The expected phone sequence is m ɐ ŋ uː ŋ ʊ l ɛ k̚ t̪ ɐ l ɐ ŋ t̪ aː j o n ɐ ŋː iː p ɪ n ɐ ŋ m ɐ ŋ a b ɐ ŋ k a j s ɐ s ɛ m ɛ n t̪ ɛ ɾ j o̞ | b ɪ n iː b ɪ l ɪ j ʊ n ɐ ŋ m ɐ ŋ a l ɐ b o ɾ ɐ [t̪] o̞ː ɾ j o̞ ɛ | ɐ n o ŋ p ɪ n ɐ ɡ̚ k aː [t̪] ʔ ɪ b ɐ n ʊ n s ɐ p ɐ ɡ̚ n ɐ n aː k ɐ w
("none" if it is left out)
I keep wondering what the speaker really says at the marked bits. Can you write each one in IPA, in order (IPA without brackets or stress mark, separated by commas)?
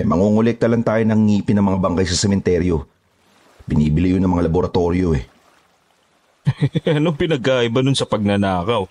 t̪, none